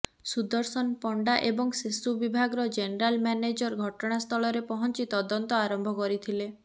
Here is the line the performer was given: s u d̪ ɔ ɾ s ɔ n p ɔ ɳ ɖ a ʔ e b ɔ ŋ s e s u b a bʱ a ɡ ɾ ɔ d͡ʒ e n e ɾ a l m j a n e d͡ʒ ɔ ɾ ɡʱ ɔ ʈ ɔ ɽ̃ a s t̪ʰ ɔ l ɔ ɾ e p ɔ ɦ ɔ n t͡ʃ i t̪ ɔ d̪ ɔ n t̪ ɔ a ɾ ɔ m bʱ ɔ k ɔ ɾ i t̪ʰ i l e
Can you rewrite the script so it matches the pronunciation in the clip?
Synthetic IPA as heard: s u d̪ ɔ ɾ s ɔ n p ɔ ɳ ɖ a ʔ e b ɔ ŋ s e s u b i bʱ a ɡ ɾ ɔ d͡ʒ e n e ɾ a l m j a n e d͡ʒ ɔ ɾ ɡʱ ɔ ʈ ɔ ɽ̃ a s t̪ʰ ɔ l ɔ ɾ e p ɔ ɦ ɔ n t͡ʃ i t̪ ɔ d̪ ɔ n t̪ ɔ a ɾ ɔ m bʱ ɔ k ɔ ɾ i t̪ʰ i l e